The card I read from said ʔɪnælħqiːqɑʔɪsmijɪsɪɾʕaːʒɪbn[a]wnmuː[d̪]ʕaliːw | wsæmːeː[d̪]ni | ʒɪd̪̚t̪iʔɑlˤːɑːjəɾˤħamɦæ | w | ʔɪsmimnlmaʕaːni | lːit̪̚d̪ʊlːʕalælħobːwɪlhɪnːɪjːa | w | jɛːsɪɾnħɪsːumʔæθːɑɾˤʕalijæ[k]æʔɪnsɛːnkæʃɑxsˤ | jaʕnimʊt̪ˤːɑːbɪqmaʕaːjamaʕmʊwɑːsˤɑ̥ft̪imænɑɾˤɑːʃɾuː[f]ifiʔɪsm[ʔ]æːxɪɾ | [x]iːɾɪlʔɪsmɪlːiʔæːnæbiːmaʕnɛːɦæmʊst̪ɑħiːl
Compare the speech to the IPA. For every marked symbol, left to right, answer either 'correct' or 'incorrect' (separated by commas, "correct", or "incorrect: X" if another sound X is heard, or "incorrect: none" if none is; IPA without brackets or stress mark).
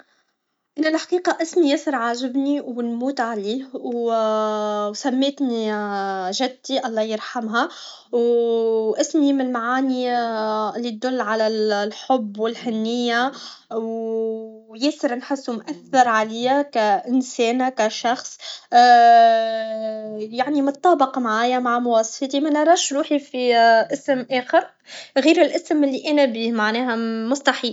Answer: incorrect: i, incorrect: t̪, incorrect: t̪, correct, incorrect: ħ, correct, incorrect: ɣ